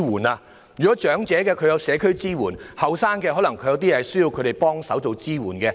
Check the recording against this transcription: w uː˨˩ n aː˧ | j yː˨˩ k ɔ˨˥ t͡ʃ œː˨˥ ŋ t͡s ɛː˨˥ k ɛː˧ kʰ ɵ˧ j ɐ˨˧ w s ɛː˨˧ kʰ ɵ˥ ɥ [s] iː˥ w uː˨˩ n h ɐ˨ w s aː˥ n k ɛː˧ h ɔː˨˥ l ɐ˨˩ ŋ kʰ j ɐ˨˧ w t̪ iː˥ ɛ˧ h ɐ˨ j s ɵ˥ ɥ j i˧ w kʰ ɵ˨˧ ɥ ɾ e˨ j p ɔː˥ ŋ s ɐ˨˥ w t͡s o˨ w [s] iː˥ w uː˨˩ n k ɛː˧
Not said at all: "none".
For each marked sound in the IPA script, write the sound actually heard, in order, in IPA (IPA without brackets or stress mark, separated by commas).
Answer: t͡s, t͡s